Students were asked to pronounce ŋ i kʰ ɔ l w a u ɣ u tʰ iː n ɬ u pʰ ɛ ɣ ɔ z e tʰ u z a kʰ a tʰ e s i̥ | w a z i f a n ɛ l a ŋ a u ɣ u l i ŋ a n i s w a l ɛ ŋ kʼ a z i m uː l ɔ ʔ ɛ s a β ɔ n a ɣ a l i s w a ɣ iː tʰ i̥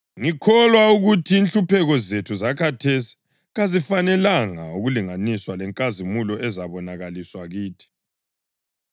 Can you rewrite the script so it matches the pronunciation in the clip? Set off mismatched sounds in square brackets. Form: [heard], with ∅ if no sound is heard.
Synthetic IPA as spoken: ŋ i kʰ ɔ l w a u ɣ u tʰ iː n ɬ u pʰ ɛ ɣ ɔ z e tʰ u z a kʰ a tʰ e s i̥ | [ɣ] a z i f a n ɛ l a ŋ a u ɣ u l i ŋ a n i s w a l ɛ ŋ kʼ a z i m [u] l ɔ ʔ ɛ [z] a β ɔ n a ɣ a l i s w a ɣ iː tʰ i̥

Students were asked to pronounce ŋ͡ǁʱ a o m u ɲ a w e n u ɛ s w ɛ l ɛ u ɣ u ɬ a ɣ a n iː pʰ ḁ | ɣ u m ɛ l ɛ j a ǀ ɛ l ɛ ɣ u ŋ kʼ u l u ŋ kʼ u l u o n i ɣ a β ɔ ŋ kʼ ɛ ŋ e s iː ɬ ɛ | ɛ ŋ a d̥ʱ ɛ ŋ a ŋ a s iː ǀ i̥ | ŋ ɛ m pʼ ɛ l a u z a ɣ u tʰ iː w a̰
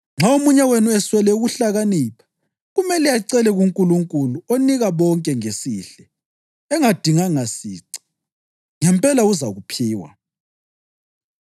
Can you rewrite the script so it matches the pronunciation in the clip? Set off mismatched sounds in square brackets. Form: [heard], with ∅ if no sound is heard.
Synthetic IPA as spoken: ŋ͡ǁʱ a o m u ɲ a w e n u ɛ s w ɛ l ɛ u ɣ u ɬ a ɣ a n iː pʰ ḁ | ɣ u m ɛ l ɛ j a ǀ ɛ l ɛ ɣ u ŋ kʼ u l u ŋ kʼ u l u o n i ɣ a β ɔ ŋ kʼ ɛ ŋ e s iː ɬ ɛ | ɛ ŋ a d̥ʱ [i] ŋ a ŋ a s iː ǀ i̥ | ŋ ɛ m pʼ ɛ l a u z a ɣ u [pʰ] iː w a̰

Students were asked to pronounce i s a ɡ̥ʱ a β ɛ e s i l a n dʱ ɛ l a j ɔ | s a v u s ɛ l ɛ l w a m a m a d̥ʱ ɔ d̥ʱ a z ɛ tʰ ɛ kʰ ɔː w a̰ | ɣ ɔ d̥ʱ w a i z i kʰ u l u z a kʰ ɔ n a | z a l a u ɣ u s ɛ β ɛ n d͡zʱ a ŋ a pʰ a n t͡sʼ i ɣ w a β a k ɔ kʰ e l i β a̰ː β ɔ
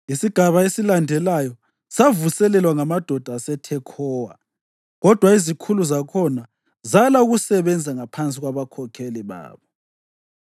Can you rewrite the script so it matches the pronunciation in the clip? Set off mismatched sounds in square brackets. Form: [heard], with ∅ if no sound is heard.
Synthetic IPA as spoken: i s [i] ɡ̥ʱ a β [a] e s i l a n dʱ ɛ l a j ɔ | s a v u s ɛ l ɛ l w a [ŋ] a m a d̥ʱ ɔ d̥ʱ a [s] ɛ tʰ ɛ kʰ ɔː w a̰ | ɣ ɔ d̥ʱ w a i z i kʰ u l u z a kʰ ɔ n a | z a l a u ɣ u s ɛ β ɛ n d͡zʱ a ŋ a pʰ a n t͡sʼ i ɣ w a β a [kʰ] ɔ kʰ e l i β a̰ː β ɔ

